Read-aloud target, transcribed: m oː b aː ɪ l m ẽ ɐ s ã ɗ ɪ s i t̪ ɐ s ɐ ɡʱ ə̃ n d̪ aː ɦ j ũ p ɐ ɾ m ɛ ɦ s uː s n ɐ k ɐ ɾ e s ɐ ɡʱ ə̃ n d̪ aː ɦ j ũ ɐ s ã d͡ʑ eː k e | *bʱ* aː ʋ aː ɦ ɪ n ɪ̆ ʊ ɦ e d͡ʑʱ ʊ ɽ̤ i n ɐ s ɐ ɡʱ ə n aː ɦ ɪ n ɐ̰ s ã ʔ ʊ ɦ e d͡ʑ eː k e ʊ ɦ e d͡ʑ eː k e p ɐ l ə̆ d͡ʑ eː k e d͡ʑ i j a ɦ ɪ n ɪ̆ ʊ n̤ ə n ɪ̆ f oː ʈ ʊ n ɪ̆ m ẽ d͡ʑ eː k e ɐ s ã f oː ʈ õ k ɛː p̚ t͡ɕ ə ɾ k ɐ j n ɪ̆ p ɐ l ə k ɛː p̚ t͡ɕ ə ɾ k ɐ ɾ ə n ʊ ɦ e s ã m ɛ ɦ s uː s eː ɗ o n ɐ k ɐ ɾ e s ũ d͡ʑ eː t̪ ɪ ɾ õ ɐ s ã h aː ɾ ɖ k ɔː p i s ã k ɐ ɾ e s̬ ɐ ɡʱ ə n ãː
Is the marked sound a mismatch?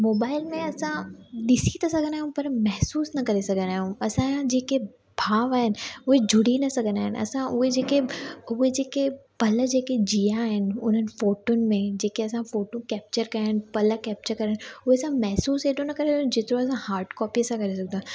no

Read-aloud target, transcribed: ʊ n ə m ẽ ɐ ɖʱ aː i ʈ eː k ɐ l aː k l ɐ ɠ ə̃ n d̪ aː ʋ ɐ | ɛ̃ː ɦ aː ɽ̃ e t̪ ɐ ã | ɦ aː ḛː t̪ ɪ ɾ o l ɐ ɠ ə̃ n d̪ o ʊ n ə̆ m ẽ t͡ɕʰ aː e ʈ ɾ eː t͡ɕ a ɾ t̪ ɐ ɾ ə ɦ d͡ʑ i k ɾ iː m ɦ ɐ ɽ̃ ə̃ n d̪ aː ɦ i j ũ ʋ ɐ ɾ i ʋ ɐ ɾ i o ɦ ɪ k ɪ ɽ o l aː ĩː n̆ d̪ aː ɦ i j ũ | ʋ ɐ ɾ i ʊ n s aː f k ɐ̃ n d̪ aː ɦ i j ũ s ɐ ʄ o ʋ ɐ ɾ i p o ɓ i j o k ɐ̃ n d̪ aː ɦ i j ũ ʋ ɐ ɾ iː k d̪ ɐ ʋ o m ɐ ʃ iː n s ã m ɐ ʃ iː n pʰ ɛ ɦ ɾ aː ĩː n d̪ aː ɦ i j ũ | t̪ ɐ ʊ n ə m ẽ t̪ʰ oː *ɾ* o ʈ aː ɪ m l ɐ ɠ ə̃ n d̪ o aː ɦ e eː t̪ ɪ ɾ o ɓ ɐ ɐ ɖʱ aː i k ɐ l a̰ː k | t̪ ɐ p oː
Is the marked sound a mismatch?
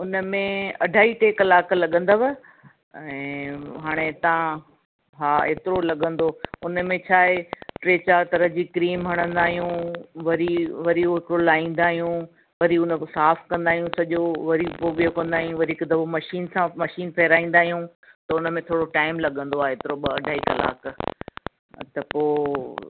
yes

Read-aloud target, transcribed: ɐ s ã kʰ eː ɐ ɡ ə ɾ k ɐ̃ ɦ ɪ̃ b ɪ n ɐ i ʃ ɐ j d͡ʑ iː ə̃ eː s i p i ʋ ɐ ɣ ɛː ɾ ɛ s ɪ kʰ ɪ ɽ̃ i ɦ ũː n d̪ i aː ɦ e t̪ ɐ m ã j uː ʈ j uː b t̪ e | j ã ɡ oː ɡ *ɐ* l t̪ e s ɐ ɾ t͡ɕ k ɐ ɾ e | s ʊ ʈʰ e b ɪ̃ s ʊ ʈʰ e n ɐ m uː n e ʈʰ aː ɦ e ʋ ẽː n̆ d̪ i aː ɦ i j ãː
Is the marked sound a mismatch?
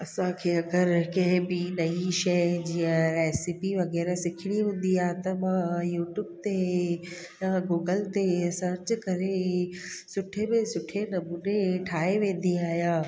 yes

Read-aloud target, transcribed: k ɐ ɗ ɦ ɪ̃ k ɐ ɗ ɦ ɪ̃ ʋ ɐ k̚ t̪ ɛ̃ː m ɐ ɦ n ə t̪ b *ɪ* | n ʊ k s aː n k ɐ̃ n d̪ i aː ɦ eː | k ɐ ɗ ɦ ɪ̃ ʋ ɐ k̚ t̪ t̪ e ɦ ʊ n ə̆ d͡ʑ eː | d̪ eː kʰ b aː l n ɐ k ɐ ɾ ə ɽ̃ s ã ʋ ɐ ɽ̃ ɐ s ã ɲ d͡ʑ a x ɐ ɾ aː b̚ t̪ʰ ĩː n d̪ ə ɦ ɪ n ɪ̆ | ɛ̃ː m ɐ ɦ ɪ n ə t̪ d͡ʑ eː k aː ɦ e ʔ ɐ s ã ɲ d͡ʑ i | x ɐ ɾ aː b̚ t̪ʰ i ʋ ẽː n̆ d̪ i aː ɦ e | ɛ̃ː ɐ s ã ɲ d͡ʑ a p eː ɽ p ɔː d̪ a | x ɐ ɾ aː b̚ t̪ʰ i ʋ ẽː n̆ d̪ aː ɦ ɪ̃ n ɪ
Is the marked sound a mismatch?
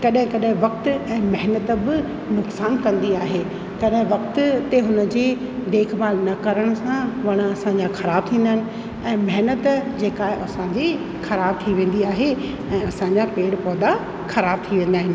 no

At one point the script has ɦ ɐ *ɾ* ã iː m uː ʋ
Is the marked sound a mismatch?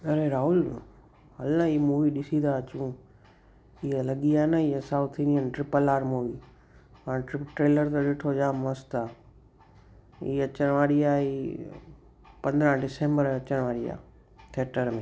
yes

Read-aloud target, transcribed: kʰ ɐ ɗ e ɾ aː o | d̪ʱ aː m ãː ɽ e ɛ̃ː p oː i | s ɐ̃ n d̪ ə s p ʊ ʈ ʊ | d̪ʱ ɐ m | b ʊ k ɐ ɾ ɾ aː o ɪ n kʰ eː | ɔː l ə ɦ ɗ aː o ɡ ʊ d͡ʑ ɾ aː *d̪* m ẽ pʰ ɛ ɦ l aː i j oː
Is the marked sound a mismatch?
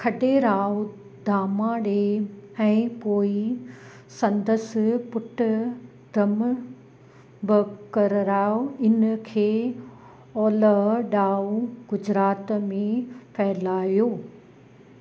yes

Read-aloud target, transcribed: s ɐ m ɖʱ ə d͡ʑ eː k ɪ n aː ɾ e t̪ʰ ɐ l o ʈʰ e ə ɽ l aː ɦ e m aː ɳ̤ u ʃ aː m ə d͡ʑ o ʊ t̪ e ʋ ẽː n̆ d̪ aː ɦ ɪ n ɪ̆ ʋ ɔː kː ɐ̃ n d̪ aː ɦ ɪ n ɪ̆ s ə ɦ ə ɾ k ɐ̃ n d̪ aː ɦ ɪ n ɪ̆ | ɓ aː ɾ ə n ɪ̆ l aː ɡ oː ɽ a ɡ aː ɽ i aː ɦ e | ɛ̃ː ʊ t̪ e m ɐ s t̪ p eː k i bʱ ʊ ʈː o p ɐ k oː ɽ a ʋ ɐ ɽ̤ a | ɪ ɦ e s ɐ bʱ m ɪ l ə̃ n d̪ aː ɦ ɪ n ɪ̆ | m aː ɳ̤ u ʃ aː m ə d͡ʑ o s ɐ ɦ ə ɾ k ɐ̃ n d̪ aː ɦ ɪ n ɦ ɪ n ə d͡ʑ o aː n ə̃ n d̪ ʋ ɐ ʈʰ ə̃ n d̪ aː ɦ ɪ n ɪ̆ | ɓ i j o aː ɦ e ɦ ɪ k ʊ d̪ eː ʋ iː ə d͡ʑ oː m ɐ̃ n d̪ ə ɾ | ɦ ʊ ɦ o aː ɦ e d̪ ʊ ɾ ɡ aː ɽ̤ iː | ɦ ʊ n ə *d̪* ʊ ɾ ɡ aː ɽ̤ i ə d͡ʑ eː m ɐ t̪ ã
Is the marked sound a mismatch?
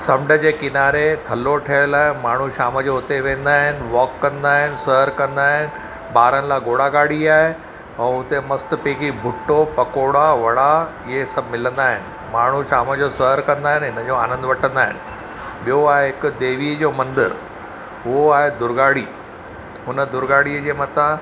no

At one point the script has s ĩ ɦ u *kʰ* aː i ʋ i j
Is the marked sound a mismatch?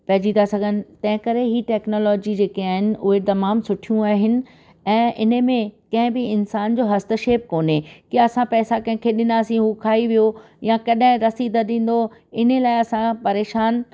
no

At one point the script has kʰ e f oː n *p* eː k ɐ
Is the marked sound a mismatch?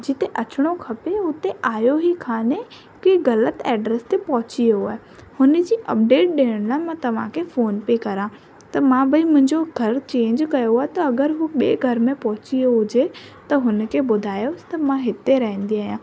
no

